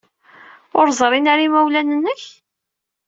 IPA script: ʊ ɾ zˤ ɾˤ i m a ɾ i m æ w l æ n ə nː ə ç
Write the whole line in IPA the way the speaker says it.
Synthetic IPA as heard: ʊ ɾ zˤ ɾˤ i n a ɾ i m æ w l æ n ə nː ə ç